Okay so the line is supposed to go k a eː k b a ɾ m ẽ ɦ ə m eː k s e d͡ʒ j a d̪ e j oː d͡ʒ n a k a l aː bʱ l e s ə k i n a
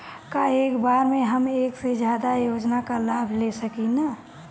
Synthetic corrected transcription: k a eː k b a ɾ m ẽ ɦ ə m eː k s e d͡ʒ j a d̪ a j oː d͡ʒ n a k a l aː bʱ l e s ə k i n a